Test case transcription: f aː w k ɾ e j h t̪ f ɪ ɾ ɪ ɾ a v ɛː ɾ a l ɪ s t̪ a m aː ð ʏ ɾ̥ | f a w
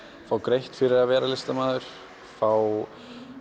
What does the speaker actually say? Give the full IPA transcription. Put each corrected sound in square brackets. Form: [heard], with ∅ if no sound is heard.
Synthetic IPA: f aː w k ɾ e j h t̪ f ɪ ɾ ɪ ɾ a v ɛː ɾ a l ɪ s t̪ a m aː ð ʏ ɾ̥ | f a w